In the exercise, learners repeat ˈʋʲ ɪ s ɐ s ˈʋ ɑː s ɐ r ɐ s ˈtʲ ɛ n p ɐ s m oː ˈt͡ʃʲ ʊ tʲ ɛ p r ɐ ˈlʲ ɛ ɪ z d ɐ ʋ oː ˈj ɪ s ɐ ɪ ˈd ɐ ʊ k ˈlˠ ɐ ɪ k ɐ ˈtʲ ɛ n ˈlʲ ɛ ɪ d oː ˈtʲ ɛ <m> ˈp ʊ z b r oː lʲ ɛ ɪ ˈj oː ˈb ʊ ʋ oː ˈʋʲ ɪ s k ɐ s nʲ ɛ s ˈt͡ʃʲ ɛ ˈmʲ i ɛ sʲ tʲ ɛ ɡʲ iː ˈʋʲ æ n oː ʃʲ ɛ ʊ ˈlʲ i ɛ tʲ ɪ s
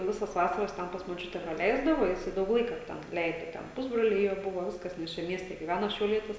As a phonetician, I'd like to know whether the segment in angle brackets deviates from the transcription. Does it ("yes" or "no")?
yes